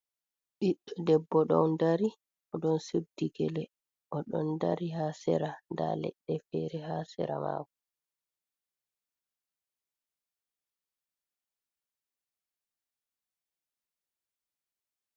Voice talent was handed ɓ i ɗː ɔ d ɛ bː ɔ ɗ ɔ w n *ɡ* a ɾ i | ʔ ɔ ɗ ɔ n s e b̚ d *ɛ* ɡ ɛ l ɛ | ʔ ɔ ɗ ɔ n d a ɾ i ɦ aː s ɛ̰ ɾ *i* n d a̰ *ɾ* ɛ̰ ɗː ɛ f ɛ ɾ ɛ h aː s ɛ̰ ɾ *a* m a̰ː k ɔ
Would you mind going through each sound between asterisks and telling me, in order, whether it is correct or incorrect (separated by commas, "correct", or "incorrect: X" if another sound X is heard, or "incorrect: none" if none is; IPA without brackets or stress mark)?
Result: incorrect: d, incorrect: i, incorrect: a, incorrect: l, correct